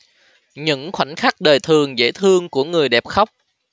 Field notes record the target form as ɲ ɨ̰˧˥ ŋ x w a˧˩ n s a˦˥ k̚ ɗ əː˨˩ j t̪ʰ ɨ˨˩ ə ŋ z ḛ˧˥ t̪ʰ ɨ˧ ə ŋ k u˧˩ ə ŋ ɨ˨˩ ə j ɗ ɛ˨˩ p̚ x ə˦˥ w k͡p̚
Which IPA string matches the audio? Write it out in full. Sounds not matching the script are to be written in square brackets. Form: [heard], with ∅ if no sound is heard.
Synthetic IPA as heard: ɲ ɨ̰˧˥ ŋ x w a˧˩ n [x] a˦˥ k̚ ɗ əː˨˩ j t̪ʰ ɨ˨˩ ə ŋ z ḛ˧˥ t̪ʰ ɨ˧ ə ŋ k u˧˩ ə ŋ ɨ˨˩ ə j ɗ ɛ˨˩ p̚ x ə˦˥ w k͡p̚